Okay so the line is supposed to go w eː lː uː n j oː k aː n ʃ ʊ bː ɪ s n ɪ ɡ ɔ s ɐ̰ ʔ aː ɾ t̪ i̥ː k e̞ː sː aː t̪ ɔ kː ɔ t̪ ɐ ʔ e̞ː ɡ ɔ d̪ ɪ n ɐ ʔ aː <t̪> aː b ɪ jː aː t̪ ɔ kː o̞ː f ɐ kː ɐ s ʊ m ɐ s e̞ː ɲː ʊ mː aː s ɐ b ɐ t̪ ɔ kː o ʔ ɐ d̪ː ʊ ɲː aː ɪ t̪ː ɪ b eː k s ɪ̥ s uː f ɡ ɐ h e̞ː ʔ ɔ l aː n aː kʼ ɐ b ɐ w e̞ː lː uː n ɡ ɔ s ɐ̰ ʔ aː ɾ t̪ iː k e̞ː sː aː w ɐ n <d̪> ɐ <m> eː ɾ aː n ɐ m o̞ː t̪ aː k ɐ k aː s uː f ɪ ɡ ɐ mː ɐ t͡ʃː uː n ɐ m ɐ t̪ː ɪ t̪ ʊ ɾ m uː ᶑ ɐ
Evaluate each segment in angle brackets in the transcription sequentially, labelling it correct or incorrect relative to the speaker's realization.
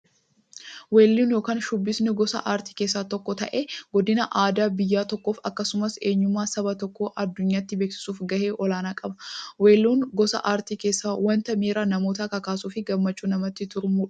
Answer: incorrect: d̪, incorrect: t̪, correct

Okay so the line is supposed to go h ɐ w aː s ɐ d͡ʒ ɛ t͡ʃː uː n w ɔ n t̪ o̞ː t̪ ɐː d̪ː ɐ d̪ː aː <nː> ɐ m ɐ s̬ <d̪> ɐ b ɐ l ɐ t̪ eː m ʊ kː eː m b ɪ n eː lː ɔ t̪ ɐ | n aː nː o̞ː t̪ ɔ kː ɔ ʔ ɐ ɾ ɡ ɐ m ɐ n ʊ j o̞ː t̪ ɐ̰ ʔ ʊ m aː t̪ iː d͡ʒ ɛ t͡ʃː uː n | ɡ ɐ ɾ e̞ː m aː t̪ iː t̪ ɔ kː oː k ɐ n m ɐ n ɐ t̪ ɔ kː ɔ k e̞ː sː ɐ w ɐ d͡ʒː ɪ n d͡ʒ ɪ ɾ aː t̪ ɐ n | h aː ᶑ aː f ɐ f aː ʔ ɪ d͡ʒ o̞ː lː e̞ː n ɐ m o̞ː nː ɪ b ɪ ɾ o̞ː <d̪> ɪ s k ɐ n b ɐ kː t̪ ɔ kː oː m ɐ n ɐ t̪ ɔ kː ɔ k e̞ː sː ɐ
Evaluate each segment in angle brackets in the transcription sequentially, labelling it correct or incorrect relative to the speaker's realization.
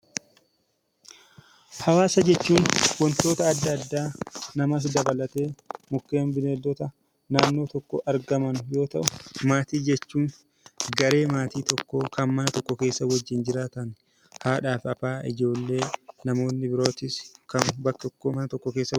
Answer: incorrect: n, correct, incorrect: t̪

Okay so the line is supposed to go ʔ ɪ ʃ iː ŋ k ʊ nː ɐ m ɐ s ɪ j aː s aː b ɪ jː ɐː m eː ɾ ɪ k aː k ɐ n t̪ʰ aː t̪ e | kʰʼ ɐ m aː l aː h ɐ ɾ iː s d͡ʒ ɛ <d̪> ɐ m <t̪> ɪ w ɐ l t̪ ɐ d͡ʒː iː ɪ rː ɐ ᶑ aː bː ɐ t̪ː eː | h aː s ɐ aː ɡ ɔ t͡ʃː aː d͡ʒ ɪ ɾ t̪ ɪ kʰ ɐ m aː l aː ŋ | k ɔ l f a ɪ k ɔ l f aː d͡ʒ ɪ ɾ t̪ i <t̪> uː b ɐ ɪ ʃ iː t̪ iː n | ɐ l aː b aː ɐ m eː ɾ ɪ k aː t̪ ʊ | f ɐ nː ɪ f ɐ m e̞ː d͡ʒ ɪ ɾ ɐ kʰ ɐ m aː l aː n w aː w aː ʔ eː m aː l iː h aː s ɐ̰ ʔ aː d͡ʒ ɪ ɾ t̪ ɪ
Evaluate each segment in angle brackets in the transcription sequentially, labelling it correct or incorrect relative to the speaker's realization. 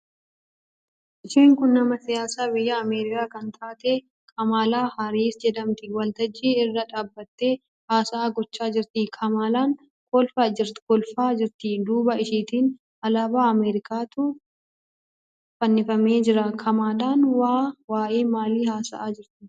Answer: correct, correct, incorrect: d̪

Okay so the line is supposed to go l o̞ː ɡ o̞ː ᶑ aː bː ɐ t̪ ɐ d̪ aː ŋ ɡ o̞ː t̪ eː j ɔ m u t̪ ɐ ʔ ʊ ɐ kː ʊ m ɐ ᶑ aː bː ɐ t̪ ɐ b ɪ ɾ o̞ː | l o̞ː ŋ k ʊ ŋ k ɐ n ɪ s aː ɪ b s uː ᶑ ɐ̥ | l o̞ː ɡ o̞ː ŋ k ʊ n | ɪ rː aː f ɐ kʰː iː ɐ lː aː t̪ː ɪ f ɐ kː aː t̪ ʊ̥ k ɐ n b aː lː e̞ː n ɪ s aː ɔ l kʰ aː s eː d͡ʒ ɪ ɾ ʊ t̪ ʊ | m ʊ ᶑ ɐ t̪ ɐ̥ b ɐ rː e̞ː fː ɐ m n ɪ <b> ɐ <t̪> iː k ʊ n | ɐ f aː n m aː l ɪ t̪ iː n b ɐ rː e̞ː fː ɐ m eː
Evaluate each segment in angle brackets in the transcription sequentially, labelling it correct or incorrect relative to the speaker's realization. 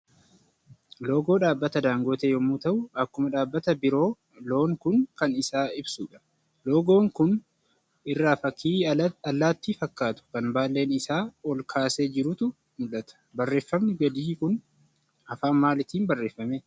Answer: incorrect: ɡ, incorrect: d̪

